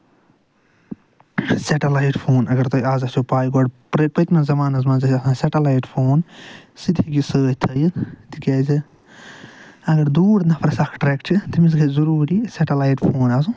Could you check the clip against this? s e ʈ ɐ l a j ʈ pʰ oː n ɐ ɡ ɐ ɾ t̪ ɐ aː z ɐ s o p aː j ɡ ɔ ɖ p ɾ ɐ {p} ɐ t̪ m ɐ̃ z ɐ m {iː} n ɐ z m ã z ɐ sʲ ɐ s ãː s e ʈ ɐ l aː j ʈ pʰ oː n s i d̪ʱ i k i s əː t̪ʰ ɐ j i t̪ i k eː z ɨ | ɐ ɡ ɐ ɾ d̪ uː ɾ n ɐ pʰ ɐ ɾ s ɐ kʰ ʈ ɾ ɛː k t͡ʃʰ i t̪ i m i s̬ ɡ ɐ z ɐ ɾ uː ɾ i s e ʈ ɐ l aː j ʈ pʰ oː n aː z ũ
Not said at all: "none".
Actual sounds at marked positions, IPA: p, aː

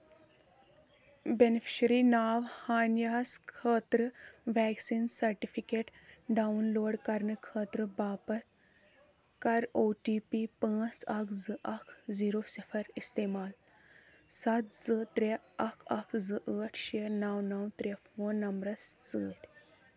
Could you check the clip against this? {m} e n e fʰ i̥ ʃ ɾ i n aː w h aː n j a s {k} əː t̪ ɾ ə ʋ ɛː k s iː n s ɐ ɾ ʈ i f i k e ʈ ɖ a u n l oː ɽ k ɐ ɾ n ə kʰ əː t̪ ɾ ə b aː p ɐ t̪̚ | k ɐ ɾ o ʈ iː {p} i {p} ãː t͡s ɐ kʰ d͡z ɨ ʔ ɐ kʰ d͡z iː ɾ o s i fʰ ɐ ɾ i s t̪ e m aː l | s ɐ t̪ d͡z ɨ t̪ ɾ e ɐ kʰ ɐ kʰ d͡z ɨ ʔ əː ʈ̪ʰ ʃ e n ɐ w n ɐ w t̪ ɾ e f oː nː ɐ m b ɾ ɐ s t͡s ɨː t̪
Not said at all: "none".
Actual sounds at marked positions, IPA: b, kʰ, p, p

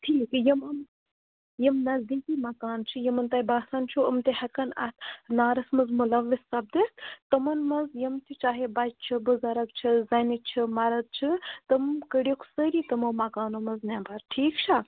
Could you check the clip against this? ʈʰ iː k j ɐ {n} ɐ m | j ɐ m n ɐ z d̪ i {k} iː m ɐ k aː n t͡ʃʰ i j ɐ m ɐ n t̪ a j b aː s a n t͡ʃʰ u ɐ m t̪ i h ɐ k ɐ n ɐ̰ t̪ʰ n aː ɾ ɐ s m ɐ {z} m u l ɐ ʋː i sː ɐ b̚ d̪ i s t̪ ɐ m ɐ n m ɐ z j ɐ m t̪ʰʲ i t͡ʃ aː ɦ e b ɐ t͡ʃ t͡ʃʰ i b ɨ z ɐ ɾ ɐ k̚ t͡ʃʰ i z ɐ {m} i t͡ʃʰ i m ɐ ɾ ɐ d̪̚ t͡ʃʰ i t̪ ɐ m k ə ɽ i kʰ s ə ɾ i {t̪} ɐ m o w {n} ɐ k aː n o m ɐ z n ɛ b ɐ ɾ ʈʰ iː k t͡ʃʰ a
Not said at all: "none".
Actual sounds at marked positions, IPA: m, k, z, n, t̪, m

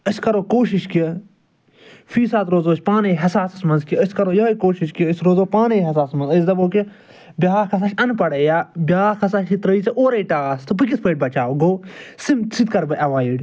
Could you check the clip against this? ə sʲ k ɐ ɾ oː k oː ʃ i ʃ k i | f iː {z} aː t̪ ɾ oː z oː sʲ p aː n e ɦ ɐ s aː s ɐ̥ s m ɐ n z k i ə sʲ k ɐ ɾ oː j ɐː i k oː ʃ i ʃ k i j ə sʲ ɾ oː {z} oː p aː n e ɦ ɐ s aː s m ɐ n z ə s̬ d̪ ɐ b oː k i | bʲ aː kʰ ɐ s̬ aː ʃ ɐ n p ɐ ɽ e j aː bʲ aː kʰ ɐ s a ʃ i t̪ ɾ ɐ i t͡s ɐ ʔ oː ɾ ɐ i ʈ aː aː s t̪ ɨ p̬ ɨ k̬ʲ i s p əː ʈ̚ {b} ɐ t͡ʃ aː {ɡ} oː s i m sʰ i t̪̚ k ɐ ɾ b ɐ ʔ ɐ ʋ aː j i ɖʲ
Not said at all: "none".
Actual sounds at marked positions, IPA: s, z, b, ɡ

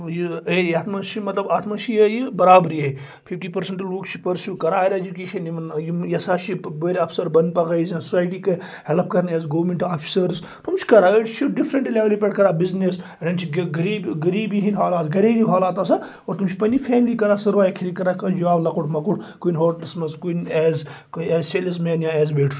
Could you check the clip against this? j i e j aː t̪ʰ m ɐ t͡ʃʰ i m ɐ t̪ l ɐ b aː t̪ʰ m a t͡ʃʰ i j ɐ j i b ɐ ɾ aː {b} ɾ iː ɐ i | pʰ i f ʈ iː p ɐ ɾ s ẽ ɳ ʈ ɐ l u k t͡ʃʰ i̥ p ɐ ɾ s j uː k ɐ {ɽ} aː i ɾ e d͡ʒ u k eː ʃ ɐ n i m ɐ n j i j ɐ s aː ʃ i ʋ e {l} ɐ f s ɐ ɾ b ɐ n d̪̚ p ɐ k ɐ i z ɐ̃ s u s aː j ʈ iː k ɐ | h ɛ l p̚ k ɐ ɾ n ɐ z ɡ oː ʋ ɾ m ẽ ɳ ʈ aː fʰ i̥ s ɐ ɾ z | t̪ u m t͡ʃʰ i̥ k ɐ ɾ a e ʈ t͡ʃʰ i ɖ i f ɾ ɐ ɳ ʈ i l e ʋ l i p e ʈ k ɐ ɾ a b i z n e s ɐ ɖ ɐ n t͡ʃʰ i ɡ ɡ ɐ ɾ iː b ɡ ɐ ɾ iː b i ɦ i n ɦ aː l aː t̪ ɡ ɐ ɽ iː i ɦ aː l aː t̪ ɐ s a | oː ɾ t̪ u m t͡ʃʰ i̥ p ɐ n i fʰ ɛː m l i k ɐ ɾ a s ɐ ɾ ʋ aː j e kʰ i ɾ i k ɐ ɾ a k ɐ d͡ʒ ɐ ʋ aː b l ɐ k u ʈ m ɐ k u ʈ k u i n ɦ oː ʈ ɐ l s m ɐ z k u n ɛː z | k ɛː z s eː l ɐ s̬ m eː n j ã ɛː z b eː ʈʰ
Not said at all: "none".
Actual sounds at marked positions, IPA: b, ɾ, ɾ

